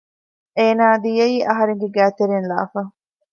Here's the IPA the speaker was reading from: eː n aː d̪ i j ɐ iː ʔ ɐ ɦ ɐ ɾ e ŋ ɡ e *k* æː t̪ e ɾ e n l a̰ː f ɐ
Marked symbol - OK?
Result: no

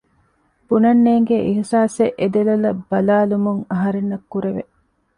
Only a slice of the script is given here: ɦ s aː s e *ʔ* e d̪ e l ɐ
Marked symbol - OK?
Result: yes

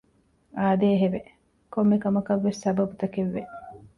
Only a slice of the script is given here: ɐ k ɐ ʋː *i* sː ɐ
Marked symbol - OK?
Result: no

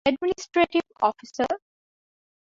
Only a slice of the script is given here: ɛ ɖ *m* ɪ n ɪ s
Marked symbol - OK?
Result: yes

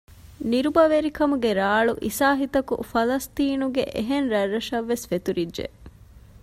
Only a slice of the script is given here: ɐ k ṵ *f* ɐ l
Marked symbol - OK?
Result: yes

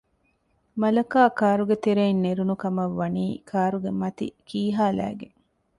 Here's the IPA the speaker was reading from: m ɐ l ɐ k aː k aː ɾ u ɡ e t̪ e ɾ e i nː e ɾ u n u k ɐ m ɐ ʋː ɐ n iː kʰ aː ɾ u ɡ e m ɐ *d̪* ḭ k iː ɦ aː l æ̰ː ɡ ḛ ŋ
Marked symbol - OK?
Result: no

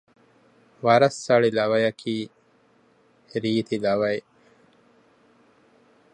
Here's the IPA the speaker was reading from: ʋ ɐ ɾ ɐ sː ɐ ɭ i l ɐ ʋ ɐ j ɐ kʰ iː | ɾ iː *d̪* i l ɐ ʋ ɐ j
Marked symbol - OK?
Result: no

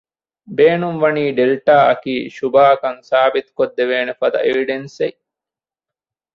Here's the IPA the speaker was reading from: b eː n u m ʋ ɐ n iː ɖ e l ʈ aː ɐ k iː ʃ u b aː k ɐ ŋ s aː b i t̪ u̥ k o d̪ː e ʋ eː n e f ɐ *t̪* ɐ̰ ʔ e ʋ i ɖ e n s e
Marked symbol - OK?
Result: no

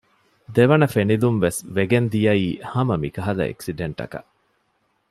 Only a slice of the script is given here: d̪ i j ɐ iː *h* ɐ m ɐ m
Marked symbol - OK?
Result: yes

